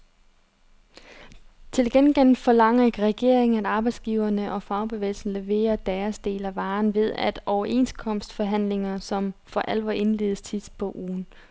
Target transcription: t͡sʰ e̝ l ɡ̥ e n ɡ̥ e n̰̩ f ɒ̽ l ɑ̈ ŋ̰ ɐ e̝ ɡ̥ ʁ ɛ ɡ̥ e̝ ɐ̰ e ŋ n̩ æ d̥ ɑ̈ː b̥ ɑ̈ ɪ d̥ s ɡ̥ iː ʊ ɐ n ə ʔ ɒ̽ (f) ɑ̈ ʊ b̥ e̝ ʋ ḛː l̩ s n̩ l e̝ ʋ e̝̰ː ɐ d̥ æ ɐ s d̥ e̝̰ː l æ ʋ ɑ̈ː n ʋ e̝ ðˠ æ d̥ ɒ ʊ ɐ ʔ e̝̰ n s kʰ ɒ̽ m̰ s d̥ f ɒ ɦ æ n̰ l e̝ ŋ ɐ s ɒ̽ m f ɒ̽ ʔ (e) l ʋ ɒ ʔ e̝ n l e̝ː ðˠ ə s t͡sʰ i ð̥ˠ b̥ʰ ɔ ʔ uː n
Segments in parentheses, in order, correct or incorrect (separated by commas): correct, incorrect